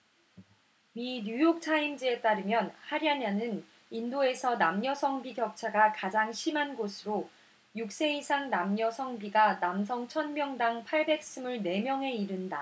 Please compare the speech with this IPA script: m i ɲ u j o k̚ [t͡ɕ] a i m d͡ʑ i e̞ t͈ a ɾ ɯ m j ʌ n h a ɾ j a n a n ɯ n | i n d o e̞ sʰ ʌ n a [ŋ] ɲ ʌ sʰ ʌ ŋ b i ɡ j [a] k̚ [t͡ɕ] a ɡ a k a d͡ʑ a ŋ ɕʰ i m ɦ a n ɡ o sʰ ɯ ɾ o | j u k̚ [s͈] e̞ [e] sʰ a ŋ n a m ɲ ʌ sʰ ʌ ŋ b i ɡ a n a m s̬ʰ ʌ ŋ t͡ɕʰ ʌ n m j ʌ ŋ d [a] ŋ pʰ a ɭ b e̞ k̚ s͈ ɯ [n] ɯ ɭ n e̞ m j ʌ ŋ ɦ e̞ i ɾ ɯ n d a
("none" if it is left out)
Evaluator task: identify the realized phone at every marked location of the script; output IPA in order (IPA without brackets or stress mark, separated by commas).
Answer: t͡ɕʰ, m, ʌ, t͡ɕʰ, s͈, i, a, m